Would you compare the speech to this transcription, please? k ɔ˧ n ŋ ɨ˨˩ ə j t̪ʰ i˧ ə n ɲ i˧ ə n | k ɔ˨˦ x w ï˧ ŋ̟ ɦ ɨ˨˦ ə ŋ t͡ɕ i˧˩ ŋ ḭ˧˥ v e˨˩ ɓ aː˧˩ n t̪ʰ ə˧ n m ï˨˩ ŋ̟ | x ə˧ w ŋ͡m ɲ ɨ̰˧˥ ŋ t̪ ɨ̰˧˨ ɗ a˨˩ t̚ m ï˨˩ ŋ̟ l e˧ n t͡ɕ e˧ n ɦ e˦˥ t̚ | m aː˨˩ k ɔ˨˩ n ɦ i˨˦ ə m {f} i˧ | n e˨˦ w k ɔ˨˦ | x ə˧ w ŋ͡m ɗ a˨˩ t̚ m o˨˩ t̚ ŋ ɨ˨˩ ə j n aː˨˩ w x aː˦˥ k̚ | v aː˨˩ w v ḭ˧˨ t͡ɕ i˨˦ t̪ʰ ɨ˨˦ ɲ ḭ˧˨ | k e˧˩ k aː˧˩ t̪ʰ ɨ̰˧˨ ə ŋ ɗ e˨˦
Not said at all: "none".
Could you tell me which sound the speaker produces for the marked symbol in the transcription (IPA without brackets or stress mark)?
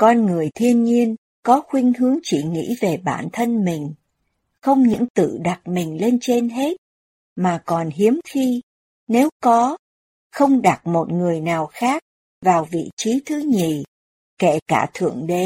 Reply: x